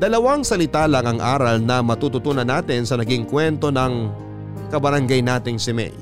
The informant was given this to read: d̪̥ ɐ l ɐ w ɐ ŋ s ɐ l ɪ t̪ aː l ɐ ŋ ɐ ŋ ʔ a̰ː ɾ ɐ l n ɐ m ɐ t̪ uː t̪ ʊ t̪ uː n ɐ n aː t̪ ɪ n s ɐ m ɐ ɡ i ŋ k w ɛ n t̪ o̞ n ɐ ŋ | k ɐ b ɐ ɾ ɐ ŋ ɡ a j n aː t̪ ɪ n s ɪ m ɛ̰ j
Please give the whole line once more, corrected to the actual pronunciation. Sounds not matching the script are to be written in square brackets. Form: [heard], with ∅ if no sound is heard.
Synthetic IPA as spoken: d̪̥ ɐ l ɐ w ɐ ŋ s ɐ l ɪ t̪ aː l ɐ ŋ ɐ ŋ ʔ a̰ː ɾ ɐ l n ɐ m ɐ t̪ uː t̪ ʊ t̪ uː n ɐ n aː t̪ ɪ n s ɐ [n] ɐ ɡ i ŋ k w ɛ n t̪ o̞ n ɐ ŋ | k ɐ b ɐ ɾ ɐ ŋ ɡ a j n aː t̪ ɪ [ŋ] s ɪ m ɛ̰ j